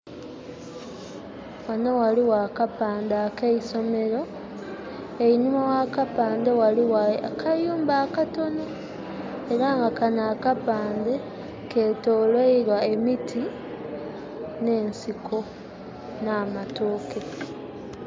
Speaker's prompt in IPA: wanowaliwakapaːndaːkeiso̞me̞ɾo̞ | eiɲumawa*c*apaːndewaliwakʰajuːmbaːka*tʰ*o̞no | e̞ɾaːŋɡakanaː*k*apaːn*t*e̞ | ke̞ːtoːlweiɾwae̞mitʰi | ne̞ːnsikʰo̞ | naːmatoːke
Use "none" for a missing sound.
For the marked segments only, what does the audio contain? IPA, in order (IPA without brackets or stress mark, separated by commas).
k, t, k, d